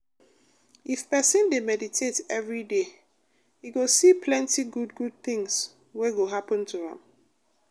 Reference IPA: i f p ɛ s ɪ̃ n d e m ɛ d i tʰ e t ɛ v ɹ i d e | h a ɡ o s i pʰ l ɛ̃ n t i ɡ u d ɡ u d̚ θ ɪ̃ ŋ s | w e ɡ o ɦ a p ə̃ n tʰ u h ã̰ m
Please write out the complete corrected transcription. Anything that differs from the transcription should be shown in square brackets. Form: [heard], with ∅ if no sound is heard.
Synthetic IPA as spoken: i f p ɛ s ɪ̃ n d e m ɛ d i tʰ e t ɛ v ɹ i d e | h [i] ɡ o s i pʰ l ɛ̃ n t i ɡ u d ɡ u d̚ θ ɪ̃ ŋ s | w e ɡ o ɦ a p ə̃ n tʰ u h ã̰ m